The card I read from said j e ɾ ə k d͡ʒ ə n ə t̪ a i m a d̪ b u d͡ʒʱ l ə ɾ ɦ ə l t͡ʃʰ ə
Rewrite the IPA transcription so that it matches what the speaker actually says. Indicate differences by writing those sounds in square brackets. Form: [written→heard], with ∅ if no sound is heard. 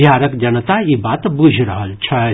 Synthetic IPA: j [e→a] ɾ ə k d͡ʒ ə n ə t̪ a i [m→b] a [d̪→t̪] b u d͡ʒʱ [l→ɾ] ə [ɾ→∅] ɦ ə l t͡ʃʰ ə